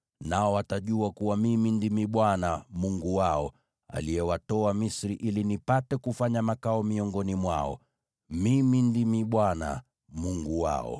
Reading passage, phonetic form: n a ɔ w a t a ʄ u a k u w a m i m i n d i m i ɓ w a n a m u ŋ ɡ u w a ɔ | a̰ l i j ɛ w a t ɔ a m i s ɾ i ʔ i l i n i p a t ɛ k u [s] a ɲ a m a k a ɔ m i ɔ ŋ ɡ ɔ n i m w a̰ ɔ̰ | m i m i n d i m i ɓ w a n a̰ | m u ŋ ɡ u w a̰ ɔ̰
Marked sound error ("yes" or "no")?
yes